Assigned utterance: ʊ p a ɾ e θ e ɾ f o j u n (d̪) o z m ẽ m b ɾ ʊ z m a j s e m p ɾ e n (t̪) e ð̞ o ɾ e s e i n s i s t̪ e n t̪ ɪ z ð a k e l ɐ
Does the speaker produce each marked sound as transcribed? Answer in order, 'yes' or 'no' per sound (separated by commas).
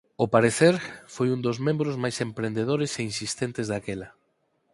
yes, no